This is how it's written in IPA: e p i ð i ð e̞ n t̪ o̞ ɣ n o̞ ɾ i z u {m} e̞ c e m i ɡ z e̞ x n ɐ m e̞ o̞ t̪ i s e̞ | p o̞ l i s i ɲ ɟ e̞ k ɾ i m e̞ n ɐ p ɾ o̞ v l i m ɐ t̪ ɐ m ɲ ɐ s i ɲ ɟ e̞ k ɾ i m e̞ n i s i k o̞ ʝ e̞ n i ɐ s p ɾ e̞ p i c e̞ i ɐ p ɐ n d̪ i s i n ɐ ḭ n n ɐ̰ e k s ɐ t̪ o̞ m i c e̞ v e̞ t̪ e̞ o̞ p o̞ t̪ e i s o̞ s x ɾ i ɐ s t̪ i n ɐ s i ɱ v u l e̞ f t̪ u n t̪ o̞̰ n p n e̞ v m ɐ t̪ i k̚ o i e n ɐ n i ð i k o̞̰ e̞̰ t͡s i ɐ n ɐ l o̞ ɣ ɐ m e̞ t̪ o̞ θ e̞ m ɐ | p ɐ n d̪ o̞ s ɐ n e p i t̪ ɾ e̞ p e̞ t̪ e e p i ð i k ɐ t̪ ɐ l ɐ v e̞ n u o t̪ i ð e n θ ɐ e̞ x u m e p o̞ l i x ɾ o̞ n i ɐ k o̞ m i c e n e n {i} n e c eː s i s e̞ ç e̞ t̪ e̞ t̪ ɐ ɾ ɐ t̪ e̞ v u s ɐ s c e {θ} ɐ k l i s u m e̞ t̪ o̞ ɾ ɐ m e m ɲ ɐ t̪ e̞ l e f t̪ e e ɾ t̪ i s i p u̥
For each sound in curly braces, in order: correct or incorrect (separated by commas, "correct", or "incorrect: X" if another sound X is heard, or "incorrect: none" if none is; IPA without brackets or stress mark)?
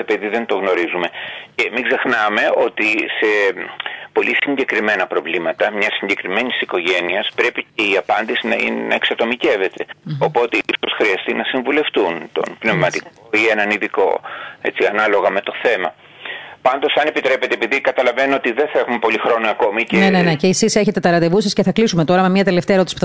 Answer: correct, incorrect: e, correct